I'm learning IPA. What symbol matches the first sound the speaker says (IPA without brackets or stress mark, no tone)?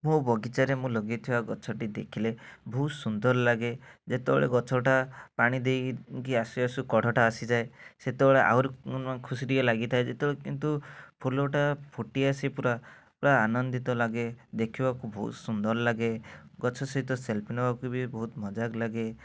m